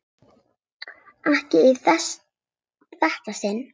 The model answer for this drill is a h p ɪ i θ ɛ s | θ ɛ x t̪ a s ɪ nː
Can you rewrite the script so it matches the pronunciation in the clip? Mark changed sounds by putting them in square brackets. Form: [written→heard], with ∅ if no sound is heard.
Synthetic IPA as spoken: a h [p→c] ɪ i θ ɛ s | θ ɛ [x→h] t̪ a s ɪ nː